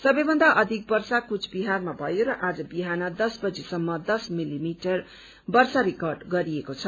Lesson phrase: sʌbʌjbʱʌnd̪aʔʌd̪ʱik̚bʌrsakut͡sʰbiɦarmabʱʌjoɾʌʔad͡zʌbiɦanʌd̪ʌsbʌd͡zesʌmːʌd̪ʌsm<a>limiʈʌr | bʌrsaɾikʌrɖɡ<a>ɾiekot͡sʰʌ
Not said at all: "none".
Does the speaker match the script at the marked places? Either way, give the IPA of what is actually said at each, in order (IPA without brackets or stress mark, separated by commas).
i, ʌ